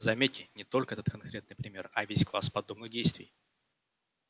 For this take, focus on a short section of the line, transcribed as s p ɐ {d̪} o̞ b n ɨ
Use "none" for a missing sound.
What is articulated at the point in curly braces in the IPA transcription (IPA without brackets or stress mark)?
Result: d̪